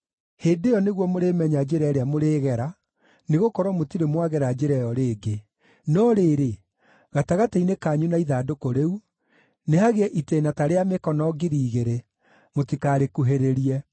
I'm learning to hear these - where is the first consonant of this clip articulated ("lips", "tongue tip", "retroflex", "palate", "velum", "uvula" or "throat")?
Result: throat